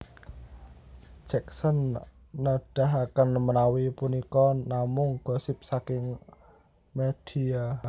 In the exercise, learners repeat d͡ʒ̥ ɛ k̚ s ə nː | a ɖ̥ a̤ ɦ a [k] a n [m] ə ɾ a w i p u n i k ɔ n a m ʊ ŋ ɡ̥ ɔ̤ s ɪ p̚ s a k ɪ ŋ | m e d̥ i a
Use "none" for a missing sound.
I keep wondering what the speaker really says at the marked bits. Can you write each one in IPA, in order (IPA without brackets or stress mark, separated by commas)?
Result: k, m